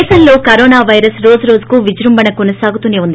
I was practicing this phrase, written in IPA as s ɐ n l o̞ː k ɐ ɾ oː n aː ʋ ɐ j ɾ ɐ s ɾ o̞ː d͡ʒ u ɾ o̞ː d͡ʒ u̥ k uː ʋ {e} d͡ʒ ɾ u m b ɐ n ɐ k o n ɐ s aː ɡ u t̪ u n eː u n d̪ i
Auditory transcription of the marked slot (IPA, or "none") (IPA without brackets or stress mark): i